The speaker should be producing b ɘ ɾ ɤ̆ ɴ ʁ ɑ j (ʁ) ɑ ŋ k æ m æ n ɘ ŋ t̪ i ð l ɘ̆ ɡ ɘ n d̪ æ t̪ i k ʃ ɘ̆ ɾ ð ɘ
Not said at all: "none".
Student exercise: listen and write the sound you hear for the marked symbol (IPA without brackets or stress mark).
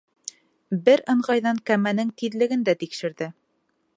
ð